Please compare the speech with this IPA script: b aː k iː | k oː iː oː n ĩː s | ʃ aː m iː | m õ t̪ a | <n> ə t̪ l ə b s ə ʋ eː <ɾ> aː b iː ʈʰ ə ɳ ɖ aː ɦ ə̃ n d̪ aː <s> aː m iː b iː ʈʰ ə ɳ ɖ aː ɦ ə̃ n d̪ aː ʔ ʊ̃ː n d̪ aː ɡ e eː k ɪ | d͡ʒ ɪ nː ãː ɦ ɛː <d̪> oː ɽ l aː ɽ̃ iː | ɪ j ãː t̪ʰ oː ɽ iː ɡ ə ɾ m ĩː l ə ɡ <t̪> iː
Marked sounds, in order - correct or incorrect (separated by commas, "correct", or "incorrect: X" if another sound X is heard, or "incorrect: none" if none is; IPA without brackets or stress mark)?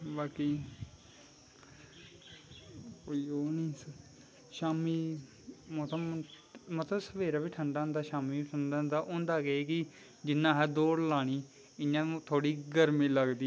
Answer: incorrect: m, correct, incorrect: ʃ, correct, incorrect: d̪